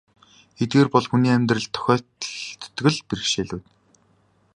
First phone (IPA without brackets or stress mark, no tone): e